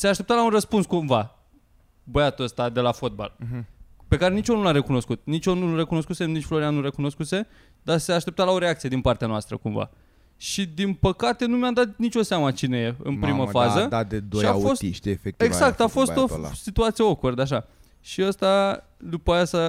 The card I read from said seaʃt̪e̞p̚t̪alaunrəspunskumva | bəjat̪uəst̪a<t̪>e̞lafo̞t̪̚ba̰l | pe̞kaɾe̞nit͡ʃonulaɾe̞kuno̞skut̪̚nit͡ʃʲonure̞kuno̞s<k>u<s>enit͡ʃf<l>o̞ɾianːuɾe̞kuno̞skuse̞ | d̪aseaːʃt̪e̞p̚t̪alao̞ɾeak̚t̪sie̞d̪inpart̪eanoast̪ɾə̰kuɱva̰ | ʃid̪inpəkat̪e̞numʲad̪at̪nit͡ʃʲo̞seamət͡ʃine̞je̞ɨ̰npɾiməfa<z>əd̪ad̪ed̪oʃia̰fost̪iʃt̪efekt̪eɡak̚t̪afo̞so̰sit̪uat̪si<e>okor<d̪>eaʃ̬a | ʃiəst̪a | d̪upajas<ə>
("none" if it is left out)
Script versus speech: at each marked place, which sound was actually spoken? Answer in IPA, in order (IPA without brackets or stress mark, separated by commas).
d̪, k, s, l, z, e, d̪, a